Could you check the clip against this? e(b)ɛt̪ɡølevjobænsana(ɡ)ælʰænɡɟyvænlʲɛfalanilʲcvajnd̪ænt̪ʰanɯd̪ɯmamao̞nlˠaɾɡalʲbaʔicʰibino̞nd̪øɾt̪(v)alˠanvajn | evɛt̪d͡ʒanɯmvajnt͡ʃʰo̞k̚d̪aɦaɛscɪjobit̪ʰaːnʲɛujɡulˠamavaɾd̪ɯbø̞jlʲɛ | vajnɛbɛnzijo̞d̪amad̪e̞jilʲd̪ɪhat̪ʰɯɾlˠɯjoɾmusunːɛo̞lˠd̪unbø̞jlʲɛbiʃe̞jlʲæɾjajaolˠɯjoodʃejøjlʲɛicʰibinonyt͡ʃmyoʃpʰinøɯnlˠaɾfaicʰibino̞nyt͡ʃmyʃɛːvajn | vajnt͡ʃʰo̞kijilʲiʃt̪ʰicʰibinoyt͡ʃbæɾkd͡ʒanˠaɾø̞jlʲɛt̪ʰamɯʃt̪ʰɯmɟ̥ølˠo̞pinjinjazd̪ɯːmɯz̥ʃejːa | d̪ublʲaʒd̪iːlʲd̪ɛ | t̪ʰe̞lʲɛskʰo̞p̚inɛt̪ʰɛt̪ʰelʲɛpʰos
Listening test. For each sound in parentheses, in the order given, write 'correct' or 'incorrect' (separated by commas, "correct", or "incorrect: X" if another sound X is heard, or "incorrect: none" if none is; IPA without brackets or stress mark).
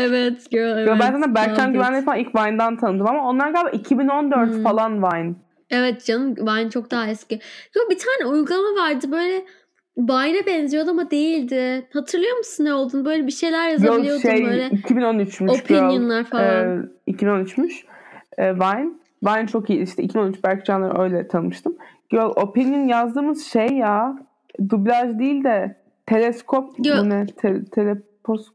incorrect: v, incorrect: b, incorrect: f